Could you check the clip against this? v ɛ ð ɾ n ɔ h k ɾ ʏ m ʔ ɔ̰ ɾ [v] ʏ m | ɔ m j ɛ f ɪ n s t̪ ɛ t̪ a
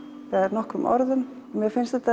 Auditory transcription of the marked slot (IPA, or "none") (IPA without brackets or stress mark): ð